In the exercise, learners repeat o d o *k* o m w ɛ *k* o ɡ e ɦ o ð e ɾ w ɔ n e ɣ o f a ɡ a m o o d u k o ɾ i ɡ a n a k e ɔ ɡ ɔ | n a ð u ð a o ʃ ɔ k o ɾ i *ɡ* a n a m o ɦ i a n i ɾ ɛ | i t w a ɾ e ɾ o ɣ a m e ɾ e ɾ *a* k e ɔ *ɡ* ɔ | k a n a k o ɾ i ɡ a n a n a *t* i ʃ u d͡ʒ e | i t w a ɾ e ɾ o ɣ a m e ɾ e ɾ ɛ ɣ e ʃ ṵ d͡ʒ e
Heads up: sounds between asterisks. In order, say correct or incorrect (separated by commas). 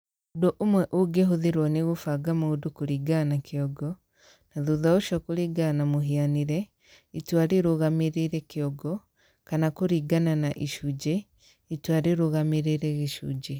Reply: incorrect, incorrect, correct, incorrect, correct, incorrect